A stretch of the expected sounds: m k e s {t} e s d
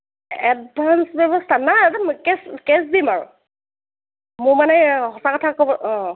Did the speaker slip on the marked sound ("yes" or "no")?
yes